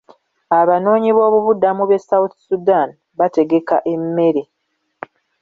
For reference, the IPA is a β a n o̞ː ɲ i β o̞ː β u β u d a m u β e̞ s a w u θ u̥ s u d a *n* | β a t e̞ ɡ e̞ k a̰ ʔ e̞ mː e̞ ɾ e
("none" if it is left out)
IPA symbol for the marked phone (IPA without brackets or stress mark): n